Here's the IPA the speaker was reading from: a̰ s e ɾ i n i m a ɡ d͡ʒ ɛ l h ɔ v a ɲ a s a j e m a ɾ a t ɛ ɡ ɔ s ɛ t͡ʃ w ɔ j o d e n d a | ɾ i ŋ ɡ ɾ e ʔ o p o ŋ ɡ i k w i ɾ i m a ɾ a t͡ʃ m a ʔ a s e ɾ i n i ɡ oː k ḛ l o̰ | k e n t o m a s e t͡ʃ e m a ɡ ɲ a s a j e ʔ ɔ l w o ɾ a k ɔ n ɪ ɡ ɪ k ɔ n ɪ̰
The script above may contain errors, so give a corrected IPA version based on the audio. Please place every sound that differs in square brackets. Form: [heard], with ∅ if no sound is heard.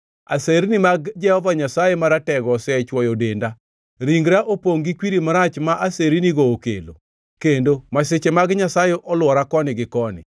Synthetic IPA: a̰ s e ɾ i n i m a ɡ d͡ʒ ɛ [∅] h ɔ v a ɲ a s a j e m a ɾ a t ɛ ɡ ɔ s ɛ t͡ʃ w ɔ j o d e n d a | ɾ i ŋ ɡ ɾ [a] ʔ o p o ŋ ɡ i k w i ɾ i m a ɾ a t͡ʃ m a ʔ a s e ɾ i n i ɡ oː k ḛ l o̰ | k e n [d] o m a s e t͡ʃ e m a ɡ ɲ a s a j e ʔ ɔ l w [ɔ] ɾ a k ɔ n ɪ ɡ ɪ k ɔ n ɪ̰